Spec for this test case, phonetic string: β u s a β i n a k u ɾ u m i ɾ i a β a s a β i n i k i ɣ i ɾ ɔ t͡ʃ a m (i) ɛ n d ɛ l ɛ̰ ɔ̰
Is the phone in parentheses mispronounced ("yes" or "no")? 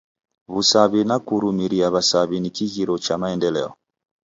yes